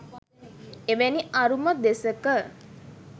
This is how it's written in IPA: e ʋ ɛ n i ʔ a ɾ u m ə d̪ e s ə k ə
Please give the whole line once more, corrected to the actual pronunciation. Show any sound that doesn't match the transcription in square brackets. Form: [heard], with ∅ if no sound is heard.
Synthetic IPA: e ʋ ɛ n i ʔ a ɾ u m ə d̪ e s ə k ə

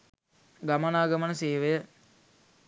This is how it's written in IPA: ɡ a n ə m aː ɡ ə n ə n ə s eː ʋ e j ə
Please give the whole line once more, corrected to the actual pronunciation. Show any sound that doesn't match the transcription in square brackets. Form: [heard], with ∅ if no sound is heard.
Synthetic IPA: ɡ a [m] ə [n] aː ɡ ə [m] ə n ə s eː ʋ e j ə

